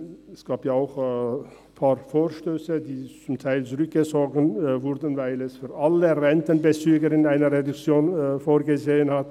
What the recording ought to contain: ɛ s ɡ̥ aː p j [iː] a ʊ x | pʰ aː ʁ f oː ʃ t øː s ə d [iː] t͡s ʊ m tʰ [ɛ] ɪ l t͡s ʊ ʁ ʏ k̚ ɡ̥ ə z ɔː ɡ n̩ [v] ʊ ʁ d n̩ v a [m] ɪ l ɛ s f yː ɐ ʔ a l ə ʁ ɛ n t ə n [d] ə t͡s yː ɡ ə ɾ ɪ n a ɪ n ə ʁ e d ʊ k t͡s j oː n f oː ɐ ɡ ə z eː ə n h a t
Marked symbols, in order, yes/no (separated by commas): no, yes, no, yes, no, no